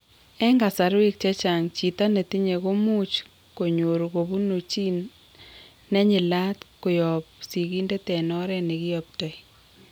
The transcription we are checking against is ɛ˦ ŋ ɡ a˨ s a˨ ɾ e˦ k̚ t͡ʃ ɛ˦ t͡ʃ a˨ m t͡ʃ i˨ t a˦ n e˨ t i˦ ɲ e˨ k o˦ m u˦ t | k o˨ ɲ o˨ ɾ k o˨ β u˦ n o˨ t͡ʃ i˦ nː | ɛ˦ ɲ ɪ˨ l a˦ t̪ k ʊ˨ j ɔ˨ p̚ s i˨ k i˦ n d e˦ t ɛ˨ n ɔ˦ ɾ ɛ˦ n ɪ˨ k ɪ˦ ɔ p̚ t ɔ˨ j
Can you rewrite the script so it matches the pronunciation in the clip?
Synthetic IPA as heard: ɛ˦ ŋ ɡ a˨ s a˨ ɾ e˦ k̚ t͡ʃ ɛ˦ t͡ʃ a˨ ŋ t͡ʃ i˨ t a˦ n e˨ t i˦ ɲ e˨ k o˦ m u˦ t͡ʃ | k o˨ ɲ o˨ ɾ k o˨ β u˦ n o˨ t͡ʃ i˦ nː | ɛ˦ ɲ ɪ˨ l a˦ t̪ k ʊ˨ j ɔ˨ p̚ s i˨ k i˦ n d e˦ t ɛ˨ n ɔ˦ ɾ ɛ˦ n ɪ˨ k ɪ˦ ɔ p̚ t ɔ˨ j